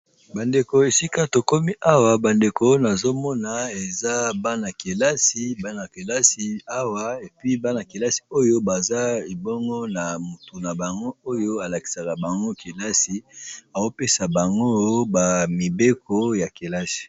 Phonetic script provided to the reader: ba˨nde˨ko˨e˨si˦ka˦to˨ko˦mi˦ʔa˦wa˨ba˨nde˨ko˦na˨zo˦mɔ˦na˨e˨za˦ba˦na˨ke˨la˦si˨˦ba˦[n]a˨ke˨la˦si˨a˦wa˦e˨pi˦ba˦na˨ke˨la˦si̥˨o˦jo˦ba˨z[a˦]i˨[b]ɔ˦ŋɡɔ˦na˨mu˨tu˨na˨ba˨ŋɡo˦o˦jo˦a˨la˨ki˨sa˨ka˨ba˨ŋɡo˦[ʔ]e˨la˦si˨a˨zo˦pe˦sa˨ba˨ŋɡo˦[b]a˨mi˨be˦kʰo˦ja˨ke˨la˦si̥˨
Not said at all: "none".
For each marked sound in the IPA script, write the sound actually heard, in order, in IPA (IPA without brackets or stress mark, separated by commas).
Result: n, a˦, b, k, b